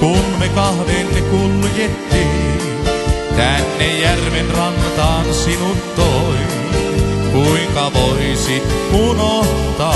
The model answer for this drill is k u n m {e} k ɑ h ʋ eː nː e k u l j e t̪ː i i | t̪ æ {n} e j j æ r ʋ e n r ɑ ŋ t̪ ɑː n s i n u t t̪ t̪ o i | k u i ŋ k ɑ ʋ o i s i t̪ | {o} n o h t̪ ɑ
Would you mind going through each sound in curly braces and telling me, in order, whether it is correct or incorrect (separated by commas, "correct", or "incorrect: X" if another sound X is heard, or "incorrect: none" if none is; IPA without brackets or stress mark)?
correct, incorrect: nː, incorrect: u